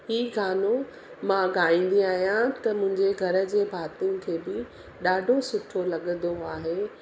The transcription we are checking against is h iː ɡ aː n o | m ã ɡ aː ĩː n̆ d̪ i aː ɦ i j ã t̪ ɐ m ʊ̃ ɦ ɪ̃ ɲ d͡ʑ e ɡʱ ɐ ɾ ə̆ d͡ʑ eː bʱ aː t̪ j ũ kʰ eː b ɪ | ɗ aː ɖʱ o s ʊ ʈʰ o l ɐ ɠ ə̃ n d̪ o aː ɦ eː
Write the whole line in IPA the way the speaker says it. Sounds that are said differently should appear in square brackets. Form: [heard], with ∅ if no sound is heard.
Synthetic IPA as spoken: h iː ɡ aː n o | m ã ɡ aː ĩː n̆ d̪ i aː ɦ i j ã t̪ ɐ m ʊ̃ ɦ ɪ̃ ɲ d͡ʑ e ɡʱ ɐ ɾ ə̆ d͡ʑ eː bʱ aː t̪ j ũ kʰ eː b ɪ | ɗ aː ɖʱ o s ʊ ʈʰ o l ɐ ɠ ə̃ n d̪ o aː ɦ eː